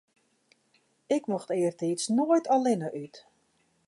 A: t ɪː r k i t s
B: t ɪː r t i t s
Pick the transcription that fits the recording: B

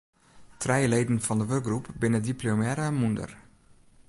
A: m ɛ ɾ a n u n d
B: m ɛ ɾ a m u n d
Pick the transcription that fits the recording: B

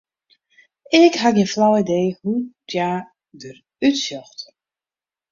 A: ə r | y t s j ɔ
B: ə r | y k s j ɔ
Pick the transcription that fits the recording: A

